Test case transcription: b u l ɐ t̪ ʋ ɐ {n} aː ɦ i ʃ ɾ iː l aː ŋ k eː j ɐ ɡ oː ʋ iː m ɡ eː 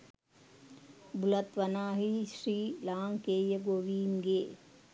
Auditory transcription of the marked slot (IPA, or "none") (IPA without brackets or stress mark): n